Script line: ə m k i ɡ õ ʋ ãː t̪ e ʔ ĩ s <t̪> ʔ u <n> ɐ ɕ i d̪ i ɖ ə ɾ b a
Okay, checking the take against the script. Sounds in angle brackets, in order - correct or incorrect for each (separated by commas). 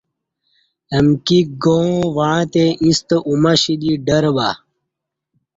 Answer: correct, incorrect